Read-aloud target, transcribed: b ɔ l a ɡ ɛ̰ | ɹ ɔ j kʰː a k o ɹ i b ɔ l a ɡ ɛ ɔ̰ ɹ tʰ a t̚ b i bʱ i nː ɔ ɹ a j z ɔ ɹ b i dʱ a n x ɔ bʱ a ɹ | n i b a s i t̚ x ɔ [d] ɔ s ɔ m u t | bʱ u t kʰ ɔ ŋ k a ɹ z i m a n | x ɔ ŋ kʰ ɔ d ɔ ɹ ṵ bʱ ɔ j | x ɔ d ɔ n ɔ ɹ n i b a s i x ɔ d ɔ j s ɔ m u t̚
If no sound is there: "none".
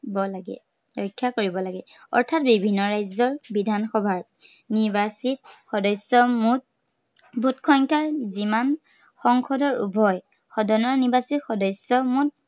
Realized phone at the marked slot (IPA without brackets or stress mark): d